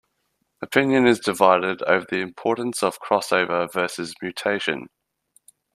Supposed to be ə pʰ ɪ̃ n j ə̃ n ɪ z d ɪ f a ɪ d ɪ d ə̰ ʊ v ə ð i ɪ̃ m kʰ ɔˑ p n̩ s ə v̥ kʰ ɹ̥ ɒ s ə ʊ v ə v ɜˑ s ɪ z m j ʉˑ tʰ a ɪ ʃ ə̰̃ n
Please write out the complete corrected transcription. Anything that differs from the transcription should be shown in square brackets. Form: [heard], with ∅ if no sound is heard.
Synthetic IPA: ə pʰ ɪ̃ n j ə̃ n ɪ z d ɪ [v] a ɪ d ɪ d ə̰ ʊ v ə ð i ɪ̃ m [pʰ] ɔˑ [ʔ] n̩ s ə v̥ kʰ ɹ̥ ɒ s ə ʊ v ə v ɜˑ s ɪ z m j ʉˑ tʰ [e] ɪ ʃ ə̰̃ n